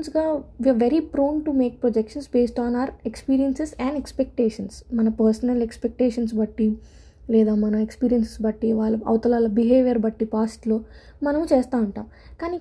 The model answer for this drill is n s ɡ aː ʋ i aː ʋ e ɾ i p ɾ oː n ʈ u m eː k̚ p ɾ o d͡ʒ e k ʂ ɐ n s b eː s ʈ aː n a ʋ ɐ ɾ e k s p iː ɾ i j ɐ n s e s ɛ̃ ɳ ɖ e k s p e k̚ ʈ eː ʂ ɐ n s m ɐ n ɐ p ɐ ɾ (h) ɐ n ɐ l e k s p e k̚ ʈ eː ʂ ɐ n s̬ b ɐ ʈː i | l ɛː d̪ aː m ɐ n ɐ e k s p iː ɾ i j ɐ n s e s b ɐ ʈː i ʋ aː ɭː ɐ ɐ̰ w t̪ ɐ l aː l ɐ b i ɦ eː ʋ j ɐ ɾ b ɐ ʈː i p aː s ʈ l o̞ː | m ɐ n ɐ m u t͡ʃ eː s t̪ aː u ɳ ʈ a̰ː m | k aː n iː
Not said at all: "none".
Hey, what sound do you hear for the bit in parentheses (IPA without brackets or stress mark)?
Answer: s